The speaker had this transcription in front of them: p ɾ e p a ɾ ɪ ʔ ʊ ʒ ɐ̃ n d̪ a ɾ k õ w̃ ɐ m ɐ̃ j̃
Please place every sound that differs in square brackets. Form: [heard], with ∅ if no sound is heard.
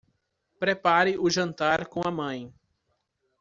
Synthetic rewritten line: p ɾ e p a ɾ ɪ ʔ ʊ ʒ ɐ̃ n [t̪] a ɾ k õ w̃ ɐ m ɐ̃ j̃

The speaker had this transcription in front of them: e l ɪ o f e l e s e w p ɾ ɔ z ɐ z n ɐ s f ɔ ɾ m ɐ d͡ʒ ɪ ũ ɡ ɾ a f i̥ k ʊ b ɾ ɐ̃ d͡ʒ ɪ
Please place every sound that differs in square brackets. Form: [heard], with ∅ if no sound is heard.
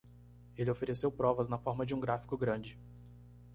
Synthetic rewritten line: e l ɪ o f e [ɾ] e s e w p ɾ ɔ [v] ɐ z n ɐ [∅] f ɔ ɾ m ɐ d͡ʒ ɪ ũ ɡ ɾ a f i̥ k ʊ [ɡ] ɾ ɐ̃ d͡ʒ ɪ

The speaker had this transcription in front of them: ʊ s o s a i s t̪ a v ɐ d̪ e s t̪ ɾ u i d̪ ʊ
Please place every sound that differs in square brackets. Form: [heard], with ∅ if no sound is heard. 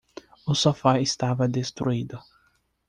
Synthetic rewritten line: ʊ s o [f] a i s t̪ a v ɐ d̪ e s t̪ ɾ u i d̪ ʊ

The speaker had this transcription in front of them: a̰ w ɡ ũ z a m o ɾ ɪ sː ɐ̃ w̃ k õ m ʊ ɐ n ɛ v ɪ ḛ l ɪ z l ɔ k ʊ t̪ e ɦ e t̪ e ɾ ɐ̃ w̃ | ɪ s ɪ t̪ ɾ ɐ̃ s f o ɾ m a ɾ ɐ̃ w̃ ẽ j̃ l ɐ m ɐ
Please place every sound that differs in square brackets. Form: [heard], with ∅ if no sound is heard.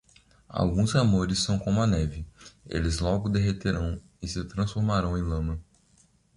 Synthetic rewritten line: a̰ w ɡ ũ z a m o ɾ ɪ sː ɐ̃ w̃ k õ m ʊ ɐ n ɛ v ɪ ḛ l ɪ z l ɔ [ɡ] ʊ [d̪] e ɦ e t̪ e ɾ ɐ̃ w̃ | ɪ s ɪ t̪ ɾ ɐ̃ s f o ɾ m a ɾ ɐ̃ w̃ ẽ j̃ l [ɐ̃] m ɐ

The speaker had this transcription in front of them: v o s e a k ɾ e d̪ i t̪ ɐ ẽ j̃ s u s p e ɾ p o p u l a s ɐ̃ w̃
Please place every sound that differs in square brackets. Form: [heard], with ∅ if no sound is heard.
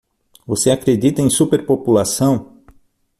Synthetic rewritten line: v o s e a k ɾ e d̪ i t̪ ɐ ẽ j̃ s u [∅] p e ɾ p o p u l a s ɐ̃ w̃

